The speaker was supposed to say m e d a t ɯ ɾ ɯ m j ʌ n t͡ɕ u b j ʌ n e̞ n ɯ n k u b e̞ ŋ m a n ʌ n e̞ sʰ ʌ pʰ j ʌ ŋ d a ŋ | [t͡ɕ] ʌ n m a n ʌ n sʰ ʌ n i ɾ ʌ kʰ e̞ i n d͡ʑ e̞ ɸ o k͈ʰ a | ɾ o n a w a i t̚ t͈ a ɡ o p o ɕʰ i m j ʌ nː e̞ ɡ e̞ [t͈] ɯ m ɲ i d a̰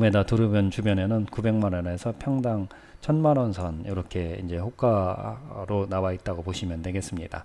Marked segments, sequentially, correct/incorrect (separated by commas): incorrect, incorrect